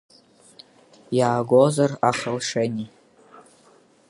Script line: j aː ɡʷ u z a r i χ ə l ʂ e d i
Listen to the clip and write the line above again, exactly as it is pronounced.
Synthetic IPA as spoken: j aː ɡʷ o z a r a χ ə l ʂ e n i